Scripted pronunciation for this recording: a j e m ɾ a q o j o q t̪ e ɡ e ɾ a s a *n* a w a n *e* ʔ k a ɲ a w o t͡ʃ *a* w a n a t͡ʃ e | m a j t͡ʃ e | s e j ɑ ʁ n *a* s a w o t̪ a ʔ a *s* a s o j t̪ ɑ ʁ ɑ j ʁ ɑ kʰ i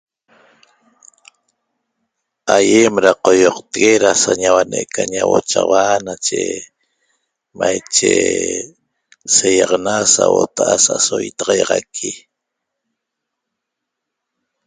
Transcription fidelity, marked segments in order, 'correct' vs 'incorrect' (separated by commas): incorrect, correct, correct, correct, correct